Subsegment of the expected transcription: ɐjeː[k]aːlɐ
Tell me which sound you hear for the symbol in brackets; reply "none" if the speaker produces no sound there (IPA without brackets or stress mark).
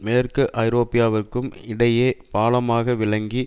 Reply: p